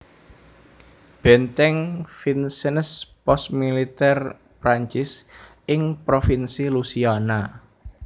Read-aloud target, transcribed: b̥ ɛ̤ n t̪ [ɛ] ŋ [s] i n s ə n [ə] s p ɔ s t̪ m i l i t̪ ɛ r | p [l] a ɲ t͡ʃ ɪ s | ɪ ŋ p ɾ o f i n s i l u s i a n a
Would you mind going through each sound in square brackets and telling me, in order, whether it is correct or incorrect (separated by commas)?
correct, incorrect, correct, incorrect